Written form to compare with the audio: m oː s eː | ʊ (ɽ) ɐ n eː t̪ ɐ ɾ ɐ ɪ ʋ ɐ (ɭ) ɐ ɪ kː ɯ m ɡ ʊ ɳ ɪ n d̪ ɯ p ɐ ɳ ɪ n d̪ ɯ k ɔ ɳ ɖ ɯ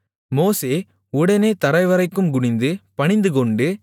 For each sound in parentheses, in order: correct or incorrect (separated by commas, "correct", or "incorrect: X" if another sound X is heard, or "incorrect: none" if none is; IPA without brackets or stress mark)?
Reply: correct, incorrect: ɾ